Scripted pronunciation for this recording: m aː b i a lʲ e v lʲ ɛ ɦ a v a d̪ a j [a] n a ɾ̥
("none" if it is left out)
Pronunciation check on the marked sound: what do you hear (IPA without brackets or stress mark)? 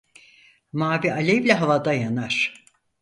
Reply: a